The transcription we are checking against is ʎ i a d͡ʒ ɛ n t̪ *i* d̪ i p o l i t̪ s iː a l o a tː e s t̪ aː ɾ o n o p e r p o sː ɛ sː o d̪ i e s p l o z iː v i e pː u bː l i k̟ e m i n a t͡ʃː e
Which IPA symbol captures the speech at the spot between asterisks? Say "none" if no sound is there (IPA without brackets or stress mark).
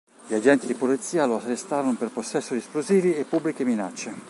i